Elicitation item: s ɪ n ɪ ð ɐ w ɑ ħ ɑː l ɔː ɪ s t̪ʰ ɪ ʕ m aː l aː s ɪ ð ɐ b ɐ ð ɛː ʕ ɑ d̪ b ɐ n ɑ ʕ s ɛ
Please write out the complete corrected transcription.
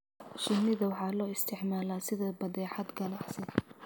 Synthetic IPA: ʃ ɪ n ɪ ð ɐ w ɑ ħ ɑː l ɔː ɪ s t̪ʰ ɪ ʕ m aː l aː s ɪ ð ɐ b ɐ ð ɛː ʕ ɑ d̪ ɡ ɐ n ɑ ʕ s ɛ